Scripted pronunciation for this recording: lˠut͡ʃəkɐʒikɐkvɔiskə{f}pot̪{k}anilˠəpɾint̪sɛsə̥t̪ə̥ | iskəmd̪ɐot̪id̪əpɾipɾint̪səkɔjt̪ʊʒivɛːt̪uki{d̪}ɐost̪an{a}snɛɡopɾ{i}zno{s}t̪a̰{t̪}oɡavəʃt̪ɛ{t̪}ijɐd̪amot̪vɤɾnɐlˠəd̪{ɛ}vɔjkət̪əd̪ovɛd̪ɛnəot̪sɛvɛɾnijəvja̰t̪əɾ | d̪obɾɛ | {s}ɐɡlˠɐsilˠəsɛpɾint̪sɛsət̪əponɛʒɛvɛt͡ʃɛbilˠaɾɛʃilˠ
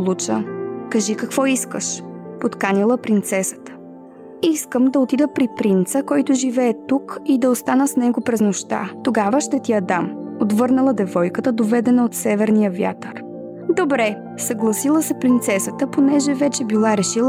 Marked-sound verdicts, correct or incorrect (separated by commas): incorrect, correct, correct, incorrect, incorrect, incorrect, correct, correct, correct, correct